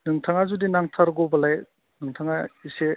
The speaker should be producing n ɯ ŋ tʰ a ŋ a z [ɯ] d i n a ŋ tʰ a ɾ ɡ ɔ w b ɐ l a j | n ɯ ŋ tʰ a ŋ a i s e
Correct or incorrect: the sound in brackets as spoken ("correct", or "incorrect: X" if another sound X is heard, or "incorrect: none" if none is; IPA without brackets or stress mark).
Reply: incorrect: u